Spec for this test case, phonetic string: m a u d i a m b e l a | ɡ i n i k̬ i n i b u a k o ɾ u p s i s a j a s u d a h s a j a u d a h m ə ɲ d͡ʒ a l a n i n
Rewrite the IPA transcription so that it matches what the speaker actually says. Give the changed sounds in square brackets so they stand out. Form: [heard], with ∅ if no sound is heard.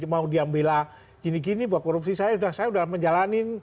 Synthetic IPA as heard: m a u d i a m b e l a | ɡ i n i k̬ i n i b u a k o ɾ u p s i s a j a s u d a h s a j a u d a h m ə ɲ d͡ʒ a l a n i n